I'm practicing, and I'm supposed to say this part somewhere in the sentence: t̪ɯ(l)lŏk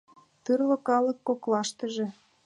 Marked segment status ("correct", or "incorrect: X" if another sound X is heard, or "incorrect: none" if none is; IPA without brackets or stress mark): incorrect: r